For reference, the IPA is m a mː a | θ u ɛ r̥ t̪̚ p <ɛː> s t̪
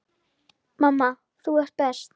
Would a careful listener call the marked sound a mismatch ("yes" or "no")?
yes